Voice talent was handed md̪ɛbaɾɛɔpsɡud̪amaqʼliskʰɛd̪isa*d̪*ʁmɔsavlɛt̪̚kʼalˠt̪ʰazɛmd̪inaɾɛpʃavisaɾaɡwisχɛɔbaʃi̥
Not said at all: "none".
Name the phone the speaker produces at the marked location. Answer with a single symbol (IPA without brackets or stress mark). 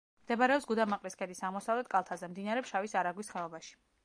none